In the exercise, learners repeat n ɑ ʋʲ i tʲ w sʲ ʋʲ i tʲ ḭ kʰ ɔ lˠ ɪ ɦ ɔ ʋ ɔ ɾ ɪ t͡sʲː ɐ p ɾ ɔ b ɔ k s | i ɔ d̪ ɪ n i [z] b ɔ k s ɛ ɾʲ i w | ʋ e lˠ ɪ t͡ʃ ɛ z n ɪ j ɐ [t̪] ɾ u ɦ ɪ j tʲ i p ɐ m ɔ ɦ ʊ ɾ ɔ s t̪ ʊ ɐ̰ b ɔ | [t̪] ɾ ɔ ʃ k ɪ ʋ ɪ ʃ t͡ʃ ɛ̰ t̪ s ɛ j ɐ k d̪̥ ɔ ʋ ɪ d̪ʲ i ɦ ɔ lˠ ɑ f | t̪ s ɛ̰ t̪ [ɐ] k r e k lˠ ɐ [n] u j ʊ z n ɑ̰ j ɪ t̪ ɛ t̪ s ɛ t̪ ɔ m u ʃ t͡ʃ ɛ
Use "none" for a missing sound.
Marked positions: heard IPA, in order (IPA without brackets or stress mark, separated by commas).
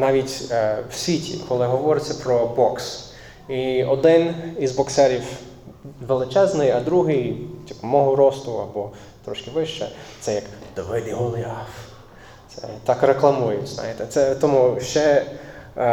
z, d̪, t̪, ɑ, m